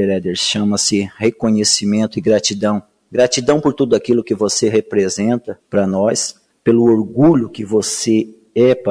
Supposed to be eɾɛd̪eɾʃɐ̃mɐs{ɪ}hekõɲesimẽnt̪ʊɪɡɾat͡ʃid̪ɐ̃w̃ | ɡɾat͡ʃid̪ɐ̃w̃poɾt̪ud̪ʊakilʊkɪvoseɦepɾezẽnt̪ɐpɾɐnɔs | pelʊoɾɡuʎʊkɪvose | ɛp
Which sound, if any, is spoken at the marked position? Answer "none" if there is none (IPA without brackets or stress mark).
ɪ